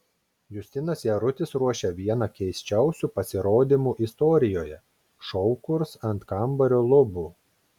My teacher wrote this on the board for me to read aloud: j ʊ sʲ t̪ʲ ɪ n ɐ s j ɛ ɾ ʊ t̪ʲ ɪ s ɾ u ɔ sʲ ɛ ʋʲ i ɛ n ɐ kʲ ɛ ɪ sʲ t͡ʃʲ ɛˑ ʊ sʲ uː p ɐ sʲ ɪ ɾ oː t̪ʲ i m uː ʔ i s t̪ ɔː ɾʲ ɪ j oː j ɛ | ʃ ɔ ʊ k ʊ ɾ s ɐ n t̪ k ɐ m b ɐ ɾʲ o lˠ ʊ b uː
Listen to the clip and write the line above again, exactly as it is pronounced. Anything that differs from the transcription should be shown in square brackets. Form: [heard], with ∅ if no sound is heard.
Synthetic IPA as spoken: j ʊ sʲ t̪ʲ ɪ n ɐ s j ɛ ɾ ʊ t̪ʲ ɪ s ɾ u ɔ [ʃʲ] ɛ ʋʲ i ɛ n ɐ kʲ ɛ ɪ sʲ t͡ʃʲ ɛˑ ʊ sʲ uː p ɐ sʲ ɪ ɾ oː [d̪ʲ] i m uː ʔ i s t̪ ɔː ɾʲ ɪ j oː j ɛ | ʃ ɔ ʊ k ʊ ɾ s ɐ n t̪ k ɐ m b ɐ ɾʲ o lˠ ʊ b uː